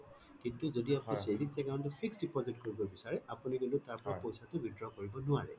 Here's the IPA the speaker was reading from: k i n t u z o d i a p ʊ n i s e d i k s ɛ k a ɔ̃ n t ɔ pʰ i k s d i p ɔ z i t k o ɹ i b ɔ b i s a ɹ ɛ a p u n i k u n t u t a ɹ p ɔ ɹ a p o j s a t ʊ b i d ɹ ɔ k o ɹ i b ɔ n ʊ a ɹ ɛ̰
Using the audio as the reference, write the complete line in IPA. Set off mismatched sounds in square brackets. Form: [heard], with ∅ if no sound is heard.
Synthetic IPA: k i n t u z o d i a p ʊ n i s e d i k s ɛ k a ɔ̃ n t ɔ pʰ i k s d i p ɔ z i t k o ɹ i b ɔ b i s a ɹ ɛ a p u n i k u n t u t a ɹ p ɔ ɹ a p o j s a t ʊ b i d ɹ ɔ k o ɹ i b ɔ n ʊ a ɹ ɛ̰